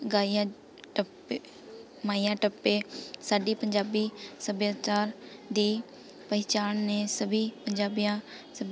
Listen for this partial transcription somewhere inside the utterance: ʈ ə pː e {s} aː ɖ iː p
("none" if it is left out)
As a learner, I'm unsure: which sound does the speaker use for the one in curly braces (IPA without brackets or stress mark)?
s